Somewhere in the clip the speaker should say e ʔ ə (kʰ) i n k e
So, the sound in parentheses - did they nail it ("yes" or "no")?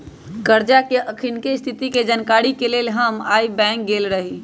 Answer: yes